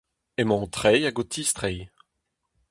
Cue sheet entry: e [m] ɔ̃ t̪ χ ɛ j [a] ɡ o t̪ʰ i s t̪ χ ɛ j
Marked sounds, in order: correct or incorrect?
correct, correct

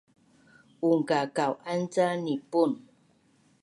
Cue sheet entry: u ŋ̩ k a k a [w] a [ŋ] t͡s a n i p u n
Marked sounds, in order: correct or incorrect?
correct, incorrect: n

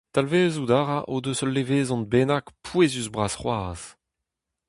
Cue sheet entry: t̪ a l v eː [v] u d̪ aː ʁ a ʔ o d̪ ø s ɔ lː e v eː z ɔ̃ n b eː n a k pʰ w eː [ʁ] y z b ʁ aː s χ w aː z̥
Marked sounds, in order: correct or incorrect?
incorrect: z, incorrect: z

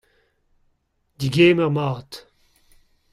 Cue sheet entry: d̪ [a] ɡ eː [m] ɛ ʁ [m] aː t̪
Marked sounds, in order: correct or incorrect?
incorrect: i, correct, correct

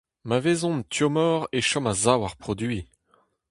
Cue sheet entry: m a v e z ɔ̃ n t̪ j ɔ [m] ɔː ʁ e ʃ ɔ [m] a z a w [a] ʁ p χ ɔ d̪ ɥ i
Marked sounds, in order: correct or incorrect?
correct, correct, correct

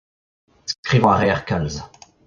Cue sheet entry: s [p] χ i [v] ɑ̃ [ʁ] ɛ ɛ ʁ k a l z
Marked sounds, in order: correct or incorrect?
incorrect: k, correct, correct

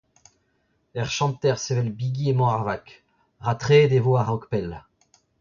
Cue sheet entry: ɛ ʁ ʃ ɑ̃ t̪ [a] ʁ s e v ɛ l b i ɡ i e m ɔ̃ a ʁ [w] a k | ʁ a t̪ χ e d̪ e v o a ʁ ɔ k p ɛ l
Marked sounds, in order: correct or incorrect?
incorrect: ɛ, incorrect: v

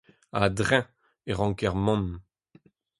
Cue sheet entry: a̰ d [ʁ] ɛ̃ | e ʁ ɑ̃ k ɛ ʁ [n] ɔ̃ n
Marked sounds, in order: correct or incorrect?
correct, incorrect: m

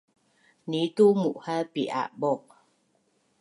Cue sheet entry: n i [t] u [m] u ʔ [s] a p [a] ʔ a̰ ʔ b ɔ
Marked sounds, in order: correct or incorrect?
correct, correct, incorrect: h, incorrect: i

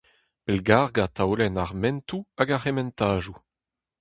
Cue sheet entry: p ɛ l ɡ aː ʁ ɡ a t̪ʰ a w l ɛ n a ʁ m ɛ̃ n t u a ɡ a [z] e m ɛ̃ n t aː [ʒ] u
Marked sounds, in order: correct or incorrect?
incorrect: ʁ, correct

